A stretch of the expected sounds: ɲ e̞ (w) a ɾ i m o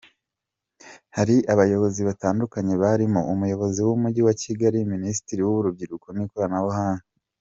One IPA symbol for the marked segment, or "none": β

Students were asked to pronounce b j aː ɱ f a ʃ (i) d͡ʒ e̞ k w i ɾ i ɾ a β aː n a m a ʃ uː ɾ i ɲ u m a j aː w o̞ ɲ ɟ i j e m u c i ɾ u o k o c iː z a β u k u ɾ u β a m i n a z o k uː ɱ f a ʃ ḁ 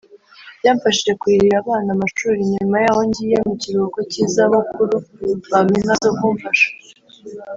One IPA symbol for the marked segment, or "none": i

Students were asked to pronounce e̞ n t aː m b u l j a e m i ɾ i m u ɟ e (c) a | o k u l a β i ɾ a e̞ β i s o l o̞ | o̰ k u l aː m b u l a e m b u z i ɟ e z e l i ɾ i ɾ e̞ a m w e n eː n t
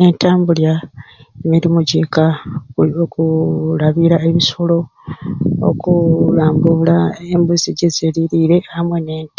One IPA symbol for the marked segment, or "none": k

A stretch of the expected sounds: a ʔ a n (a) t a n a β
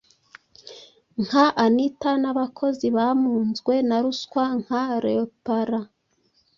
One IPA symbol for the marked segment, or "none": i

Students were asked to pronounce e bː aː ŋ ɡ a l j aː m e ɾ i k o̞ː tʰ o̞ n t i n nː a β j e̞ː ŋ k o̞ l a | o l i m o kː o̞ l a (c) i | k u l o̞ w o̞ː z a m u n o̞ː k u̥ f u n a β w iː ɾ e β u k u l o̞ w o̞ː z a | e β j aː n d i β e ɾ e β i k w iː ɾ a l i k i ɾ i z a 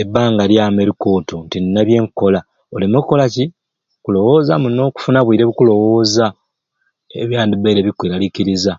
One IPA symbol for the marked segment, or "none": c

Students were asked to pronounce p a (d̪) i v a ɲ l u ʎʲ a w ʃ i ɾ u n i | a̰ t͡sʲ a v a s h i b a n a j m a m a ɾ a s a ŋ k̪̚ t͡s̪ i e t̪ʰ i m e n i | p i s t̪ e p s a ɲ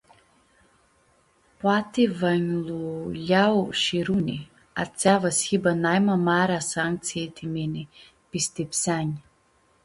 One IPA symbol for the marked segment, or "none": t̪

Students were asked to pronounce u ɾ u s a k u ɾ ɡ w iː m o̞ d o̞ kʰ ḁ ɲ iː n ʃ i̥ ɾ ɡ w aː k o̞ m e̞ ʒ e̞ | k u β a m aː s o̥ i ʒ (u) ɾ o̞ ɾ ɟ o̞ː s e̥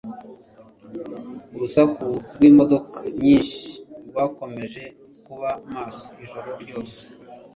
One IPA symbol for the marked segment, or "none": o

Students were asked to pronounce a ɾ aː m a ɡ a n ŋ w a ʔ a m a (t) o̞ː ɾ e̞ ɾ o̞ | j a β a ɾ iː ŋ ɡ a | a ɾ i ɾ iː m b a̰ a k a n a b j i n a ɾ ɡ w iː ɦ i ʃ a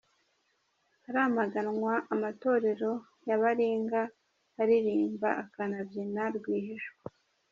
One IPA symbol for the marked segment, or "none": t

